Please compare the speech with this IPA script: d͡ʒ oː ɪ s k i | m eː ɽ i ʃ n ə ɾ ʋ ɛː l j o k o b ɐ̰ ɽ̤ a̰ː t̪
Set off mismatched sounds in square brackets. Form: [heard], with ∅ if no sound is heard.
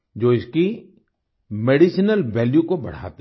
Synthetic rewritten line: d͡ʒ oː ɪ s k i | m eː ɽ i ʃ n ə [l] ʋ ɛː l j [u] k o b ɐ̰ ɽ̤ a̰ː t̪